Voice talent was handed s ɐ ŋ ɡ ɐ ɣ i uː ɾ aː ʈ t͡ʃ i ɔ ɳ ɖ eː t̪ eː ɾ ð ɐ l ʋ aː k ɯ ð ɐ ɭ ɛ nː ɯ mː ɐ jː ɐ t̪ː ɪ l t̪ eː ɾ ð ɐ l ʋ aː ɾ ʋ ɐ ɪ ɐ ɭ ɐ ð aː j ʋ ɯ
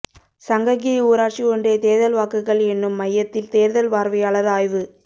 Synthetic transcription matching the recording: s ɐ ŋ ɡ ɐ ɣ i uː ɾ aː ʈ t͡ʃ i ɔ ɳ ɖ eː t̪ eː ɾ ð ɐ l ʋ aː k ɯ ɣ ɐ ɭ ɛ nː ɯ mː ɐ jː ɐ t̪ː ɪ l t̪ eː ɾ ð ɐ l ʋ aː ɾ ʋ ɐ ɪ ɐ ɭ ɐ ð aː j ʋ ɯ

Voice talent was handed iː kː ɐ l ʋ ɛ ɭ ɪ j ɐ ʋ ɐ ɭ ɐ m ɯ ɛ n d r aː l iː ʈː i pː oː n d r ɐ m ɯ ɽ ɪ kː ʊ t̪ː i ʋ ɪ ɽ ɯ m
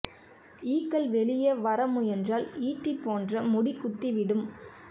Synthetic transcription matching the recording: iː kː ɐ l ʋ ɛ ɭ ɪ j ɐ ʋ ɐ ɾ ɐ m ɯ ɛ n d r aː l iː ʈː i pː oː n d r ɐ m ʊ ɽ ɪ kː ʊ t̪ː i ʋ ɪ ɽ ɯ m

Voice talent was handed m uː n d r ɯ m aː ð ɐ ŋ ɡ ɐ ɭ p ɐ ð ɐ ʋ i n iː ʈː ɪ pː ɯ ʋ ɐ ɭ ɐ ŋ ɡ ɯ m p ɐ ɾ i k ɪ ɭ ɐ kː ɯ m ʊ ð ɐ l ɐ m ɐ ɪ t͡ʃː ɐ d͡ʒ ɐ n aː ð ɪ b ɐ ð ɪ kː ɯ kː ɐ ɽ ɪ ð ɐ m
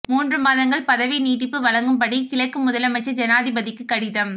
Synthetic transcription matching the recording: m uː n d r ɯ m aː ð ɐ ŋ ɡ ɐ ɭ p ɐ ð ɐ ʋ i n iː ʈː ɪ pː ɯ ʋ ɐ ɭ ɐ ŋ ɡ ɯ m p ɐ ɽ i k ɪ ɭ ɐ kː ɯ m ʊ ð ɐ l ɐ m ɐ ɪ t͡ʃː ɐ d͡ʒ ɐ n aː ð ɪ b ɐ ð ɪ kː ɯ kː ɐ ɽ ɪ ð ɐ m

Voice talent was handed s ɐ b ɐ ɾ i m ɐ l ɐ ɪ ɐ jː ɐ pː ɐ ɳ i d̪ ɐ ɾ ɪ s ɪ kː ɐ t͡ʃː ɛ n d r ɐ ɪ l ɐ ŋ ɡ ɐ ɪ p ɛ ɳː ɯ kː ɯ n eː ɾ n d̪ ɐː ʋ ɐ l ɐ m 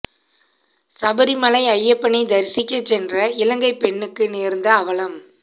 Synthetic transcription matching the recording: s ɐ b ɐ ɾ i m ɐ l ɐ ɪ ɐ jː ɐ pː ɐ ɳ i d̪ ɐ ɾ ɪ s ɪ kː ɐ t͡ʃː ɛ n d r ɐ ɪ l ɐ ŋ ɡ ɐ ɪ p ɛ ɳː ɯ kː ɯ n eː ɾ n d̪ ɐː ʋ ɐ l ɐ m

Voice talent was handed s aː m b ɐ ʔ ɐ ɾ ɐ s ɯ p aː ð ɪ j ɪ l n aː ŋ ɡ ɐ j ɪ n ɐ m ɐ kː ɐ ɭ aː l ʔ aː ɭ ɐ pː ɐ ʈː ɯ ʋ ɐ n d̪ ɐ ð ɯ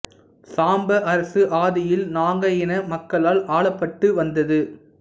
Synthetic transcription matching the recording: s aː m b ɐ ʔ ɐ ɾ ɐ s ɯ ʔ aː ð ɪ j ɪ l n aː ŋ ɡ ɐ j ɪ n ɐ m ɐ kː ɐ ɭ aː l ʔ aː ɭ ɐ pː ɐ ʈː ɯ ʋ ɐ n d̪ ɐ ð ɯ

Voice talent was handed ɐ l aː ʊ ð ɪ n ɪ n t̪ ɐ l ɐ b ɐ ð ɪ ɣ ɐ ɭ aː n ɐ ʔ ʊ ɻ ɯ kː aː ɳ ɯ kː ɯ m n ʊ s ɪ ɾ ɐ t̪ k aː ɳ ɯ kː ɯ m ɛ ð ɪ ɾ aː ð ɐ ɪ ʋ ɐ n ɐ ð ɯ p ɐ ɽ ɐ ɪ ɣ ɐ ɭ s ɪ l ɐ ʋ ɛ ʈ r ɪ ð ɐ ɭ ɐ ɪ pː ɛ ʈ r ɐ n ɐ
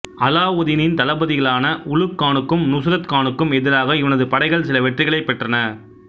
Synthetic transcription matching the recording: ɐ l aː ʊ ð ɪ n ɪ n t̪ ɐ l ɐ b ɐ ð ɪ ɣ ɐ ɭ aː n ɐ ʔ ʊ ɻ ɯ kː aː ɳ ɯ kː ɯ m n ʊ s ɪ ɾ ɐ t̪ k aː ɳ ɯ kː ɯ m ɛ ð ɪ ɾ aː ɣ ɐ ɪ ʋ ɐ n ɐ ð ɯ p ɐ ɽ ɐ ɪ ɣ ɐ ɭ s ɪ l ɐ ʋ ɛ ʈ r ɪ ɣ ɐ ɭ ɐ ɪ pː ɛ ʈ r ɐ n ɐ

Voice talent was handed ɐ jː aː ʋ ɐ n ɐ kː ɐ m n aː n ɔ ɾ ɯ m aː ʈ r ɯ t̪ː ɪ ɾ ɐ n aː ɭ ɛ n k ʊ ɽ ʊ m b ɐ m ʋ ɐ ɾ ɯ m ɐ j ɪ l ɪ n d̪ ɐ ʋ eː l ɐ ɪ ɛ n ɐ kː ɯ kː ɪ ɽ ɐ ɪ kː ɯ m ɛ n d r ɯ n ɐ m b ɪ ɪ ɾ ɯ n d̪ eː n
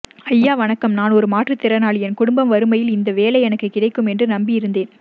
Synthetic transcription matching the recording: ɐ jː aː ʋ ɐ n ɐ kː ɐ m n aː n ɔ ɾ ɯ m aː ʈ r ɯ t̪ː ɪ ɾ ɐ n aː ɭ ɛ n k ʊ ɽ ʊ m b ɐ m ʋ ɐ ɾ ɯ m ɐ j ɪ l ɪ n d̪ ɐ ʋ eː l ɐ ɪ ɛ n ɐ kː ɯ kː ɪ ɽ ɐ ɪ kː ɯ m ɛ n d r ɯ n ɐ m b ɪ ɪ ɾ ɯ n d̪ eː n

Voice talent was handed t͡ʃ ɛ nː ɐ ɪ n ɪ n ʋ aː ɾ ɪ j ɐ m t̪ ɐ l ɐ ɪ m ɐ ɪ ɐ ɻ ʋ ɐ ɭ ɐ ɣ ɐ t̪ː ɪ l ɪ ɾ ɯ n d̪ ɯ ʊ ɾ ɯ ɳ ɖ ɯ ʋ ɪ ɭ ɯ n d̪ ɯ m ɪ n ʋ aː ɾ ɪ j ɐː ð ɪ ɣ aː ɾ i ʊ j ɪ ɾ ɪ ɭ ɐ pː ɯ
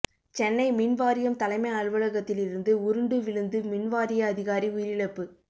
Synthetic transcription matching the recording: t͡ʃ ɛ nː ɐ ɪ m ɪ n ʋ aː ɾ ɪ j ɐ m t̪ ɐ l ɐ ɪ m ɐ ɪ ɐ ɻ ʋ ɐ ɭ ɐ ɣ ɐ t̪ː ɪ l ɪ ɾ ɯ n d̪ ɯ ʊ ɾ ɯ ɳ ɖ ɯ ʋ ɪ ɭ ɯ n d̪ ɯ m ɪ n ʋ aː ɾ ɪ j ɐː ð ɪ ɣ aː ɾ i ʊ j ɪ ɾ ɪ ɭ ɐ pː ɯ

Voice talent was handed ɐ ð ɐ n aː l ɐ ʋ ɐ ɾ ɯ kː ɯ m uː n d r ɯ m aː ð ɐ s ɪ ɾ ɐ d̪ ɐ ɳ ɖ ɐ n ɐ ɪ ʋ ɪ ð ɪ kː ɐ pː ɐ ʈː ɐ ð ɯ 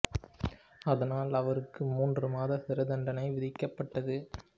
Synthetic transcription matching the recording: ɐ ð ɐ n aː l ɐ ʋ ɐ ɾ ɯ kː ɯ m uː n d r ɯ m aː ð ɐ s ɪ ɾ ɐ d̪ ɐ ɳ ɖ ɐ n ɐ ɪ ʋ ɪ ð ɪ kː ɐ pː ɐ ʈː ɐ ð ɯ

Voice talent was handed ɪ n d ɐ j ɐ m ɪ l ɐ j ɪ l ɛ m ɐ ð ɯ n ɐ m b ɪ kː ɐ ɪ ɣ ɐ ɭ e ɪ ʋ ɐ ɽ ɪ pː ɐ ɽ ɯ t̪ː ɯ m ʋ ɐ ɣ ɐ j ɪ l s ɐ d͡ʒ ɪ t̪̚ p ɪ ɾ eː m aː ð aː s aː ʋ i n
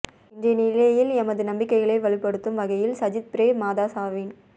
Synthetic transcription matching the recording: ɪ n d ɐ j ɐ n ɪ l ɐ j ɪ l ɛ m ɐ ð ɯ n ɐ m b ɪ kː ɐ ɪ ɣ ɐ ɭ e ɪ ʋ ɐ ɭ ɪ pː ɐ ɽ ɯ t̪ː ɯ m ʋ ɐ ɣ ɐ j ɪ l s ɐ d͡ʒ ɪ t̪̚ p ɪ ɾ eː m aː ð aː s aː ʋ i n

